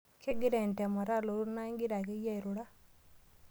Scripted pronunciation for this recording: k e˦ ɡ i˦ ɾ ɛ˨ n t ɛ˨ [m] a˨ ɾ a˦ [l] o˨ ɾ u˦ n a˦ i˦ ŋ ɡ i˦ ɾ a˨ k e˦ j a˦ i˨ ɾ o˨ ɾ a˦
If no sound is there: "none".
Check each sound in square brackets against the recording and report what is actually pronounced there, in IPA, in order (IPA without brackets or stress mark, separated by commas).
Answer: m, l